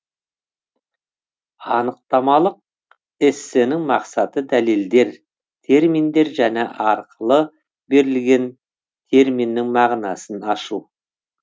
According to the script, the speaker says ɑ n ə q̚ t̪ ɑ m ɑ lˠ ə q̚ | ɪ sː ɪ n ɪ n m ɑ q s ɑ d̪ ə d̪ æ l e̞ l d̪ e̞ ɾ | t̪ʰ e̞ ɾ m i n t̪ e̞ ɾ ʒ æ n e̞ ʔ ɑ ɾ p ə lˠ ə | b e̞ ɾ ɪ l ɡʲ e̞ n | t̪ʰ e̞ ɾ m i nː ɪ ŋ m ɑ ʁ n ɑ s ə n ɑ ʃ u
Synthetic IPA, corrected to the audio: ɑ n ə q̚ t̪ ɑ m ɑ lˠ ə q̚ | ɪ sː ɪ n ɪ ŋ m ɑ q s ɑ t̪ ə d̪ æ l e̞ l d̪ e̞ ɾ | t̪ʰ e̞ ɾ m i n d̪ e̞ ɾ ʒ æ n e̞ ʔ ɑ ɾ q ə lˠ ə | b e̞ ɾ ɪ l ɡʲ e̞ n | t̪ʰ e̞ ɾ m i nː ɪ ŋ m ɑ ʁ n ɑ s ə n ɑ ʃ u